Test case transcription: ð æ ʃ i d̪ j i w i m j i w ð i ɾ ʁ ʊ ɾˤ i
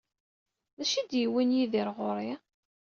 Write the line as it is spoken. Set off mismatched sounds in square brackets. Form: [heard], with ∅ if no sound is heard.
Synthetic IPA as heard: ð æ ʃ i d̪ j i w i [n] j i [∅] ð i ɾ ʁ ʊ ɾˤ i